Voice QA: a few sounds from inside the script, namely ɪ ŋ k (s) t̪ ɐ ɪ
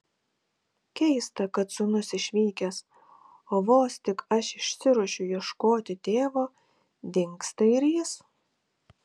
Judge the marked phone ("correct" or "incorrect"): correct